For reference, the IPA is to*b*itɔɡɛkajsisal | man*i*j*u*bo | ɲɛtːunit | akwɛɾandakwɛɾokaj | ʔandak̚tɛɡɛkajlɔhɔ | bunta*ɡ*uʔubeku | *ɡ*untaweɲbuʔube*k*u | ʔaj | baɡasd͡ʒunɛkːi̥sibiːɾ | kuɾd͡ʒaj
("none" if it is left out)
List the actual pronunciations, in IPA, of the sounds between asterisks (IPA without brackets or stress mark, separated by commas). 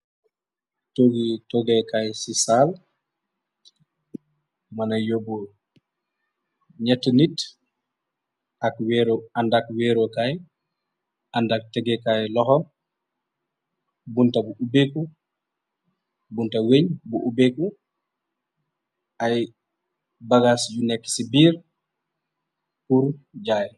ɡ, a, o, b, b, k